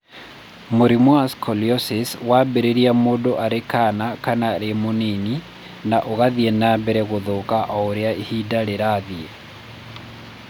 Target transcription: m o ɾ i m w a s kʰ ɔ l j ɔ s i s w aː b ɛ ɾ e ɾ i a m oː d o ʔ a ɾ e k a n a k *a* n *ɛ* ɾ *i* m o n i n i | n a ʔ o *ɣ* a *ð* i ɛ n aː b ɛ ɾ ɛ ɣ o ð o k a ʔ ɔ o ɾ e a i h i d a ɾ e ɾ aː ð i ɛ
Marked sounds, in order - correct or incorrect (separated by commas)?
correct, incorrect, incorrect, correct, correct